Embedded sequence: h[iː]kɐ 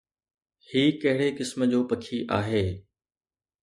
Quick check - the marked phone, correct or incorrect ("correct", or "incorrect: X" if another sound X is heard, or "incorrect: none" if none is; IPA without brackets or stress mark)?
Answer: correct